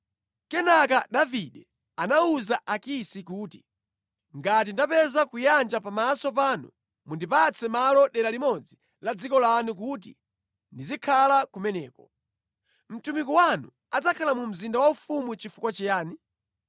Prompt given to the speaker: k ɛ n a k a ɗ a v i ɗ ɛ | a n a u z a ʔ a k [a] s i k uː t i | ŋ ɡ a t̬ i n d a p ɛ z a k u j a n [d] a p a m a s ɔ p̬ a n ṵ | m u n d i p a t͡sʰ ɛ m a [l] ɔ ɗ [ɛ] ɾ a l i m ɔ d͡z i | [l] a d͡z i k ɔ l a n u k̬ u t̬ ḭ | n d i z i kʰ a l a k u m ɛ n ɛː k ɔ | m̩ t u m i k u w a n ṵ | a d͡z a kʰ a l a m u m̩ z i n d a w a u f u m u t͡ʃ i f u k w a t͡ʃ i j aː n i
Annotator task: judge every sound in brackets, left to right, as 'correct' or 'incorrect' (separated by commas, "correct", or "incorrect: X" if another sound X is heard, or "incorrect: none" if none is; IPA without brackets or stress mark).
incorrect: i, incorrect: d͡ʒ, correct, correct, correct